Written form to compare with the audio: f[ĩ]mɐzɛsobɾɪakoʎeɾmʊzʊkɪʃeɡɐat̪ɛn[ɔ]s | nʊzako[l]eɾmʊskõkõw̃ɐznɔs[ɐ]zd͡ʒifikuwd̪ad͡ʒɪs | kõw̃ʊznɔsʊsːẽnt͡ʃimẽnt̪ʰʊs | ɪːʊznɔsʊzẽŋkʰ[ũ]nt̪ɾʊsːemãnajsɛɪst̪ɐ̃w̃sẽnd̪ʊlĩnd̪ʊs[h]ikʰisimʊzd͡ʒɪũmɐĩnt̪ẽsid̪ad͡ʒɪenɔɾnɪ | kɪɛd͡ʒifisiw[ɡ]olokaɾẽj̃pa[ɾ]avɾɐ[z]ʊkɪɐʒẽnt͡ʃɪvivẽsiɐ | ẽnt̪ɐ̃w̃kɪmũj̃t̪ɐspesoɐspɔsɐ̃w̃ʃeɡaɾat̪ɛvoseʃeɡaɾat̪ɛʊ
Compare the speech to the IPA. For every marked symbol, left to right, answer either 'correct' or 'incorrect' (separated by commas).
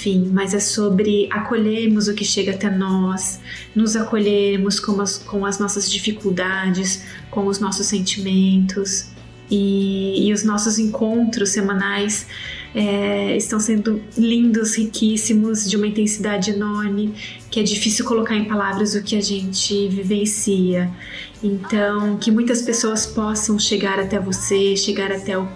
correct, correct, incorrect, correct, incorrect, correct, incorrect, incorrect, correct